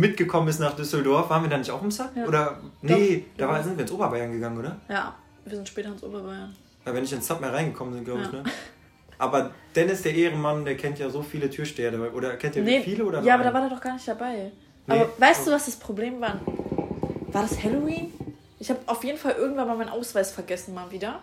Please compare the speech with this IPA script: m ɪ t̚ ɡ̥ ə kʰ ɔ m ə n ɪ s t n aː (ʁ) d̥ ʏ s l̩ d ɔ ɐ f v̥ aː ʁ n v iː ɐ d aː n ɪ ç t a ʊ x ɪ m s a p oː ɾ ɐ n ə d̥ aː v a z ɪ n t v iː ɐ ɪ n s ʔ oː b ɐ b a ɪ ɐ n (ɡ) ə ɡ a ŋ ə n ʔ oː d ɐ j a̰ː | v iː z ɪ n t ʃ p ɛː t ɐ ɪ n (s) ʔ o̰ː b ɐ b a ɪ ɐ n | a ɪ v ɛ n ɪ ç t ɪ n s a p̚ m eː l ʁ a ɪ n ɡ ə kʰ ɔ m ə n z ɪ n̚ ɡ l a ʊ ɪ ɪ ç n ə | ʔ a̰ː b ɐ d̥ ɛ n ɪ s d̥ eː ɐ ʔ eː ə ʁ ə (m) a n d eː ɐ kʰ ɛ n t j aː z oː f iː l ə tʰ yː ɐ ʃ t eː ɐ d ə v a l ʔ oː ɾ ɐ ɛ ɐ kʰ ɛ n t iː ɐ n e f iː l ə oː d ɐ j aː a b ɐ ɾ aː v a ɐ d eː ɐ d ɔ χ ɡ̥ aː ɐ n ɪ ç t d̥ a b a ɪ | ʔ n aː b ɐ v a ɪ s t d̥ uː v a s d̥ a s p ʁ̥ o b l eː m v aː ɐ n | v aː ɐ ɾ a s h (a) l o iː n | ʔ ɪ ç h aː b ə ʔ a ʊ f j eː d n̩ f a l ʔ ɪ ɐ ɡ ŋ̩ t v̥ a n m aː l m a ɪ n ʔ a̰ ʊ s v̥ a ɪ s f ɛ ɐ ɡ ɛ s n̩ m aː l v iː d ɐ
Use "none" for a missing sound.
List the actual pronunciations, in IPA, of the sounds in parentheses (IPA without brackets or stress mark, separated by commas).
χ, ɡ, s, m, ɛ